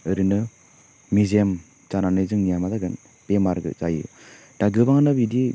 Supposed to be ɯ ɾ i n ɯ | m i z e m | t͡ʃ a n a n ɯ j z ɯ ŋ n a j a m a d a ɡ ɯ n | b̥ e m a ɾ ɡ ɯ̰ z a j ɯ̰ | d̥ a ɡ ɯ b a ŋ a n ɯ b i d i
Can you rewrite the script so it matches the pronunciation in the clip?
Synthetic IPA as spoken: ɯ ɾ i n ɯ | m i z e m | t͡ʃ a n a n ɯ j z ɯ ŋ n i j a m a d a ɡ ɯ n | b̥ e m a ɾ ɡ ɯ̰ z a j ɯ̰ | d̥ a ɡ ɯ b a ŋ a n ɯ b i d i